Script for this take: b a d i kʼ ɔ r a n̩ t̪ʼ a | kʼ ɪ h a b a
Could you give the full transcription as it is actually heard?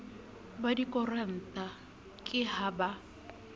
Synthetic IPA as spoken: b a d i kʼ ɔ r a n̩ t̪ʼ a | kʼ ɪ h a b a